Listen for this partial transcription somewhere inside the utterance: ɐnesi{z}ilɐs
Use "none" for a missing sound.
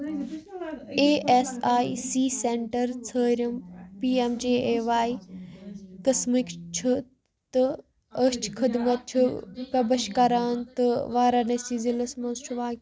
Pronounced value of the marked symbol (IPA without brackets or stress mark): z